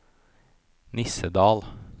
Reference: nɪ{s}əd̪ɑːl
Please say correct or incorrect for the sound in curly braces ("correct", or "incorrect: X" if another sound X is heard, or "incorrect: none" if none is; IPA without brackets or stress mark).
correct